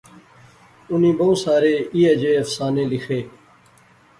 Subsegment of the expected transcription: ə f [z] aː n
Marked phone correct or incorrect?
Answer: incorrect